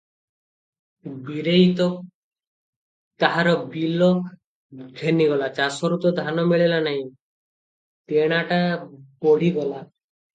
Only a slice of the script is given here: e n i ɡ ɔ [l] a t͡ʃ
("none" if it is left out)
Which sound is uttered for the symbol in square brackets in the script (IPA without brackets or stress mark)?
l